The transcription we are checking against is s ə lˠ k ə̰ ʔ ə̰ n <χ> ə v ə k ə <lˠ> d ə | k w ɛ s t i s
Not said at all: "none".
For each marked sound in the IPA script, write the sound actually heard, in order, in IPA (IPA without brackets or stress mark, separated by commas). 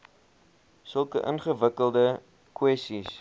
χ, lˠ